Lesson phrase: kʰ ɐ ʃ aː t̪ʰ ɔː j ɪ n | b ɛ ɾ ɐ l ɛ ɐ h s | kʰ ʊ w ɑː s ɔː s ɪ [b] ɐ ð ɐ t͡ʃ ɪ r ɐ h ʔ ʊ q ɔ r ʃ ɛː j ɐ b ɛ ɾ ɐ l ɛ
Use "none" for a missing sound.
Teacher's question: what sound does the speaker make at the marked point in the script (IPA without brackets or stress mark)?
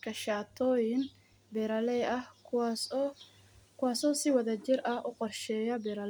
w